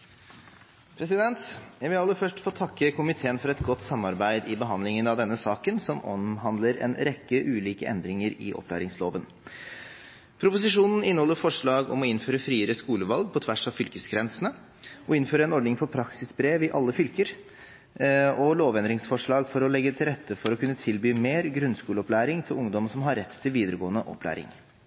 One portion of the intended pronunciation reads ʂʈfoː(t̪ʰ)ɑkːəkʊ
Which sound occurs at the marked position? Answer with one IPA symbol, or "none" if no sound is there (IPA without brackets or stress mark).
t̪ʰ